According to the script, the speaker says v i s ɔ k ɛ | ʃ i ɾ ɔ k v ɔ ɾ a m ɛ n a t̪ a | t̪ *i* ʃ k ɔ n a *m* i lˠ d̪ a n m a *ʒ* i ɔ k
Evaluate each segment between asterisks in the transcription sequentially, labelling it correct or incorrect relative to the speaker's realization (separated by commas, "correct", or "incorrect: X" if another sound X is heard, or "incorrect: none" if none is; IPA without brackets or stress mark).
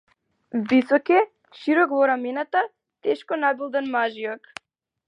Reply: incorrect: ɛ, incorrect: b, correct